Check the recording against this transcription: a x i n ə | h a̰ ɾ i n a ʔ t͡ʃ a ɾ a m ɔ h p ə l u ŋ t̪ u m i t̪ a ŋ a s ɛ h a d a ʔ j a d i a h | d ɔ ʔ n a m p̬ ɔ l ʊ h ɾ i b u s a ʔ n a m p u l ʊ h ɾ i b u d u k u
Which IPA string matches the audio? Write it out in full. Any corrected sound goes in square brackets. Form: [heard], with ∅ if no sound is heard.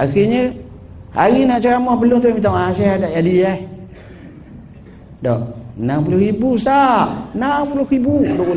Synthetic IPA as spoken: a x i [ɲ] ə | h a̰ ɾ i n a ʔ t͡ʃ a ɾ a m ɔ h p ə l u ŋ t̪ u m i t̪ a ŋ a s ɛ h a d a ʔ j a d i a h | d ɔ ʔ n a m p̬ [u] l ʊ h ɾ i b u s a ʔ n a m p u l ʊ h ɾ i b u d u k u